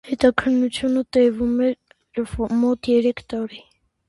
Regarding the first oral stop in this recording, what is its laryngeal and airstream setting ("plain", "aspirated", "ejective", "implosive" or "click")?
plain